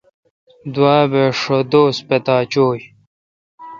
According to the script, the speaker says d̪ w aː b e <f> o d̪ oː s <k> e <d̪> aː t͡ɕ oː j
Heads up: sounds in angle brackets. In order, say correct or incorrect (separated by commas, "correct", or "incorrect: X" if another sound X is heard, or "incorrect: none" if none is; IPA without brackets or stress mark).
incorrect: ʂ, incorrect: p, incorrect: t̪